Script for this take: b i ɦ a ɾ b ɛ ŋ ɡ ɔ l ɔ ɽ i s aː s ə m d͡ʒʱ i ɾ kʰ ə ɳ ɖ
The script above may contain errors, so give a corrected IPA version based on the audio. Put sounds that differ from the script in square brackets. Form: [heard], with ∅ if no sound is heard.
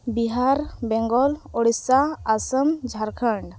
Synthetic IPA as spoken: b i ɦ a ɾ b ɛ ŋ ɡ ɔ l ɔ ɽ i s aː s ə m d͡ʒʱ [a] ɾ kʰ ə ɳ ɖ